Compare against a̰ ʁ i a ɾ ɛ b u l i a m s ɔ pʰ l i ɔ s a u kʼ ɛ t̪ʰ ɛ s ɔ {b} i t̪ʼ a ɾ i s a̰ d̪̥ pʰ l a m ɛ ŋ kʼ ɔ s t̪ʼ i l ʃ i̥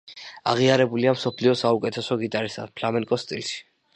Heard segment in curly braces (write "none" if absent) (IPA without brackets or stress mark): ɡ